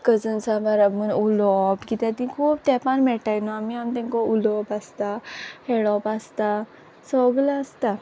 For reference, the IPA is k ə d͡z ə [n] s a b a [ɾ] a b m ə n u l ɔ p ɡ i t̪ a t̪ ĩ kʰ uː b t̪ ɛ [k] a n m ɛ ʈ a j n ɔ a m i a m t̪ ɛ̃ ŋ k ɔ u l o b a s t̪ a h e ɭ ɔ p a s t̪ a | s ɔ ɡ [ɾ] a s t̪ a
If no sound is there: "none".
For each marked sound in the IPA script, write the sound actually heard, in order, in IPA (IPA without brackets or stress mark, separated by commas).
n, ɾ, p, l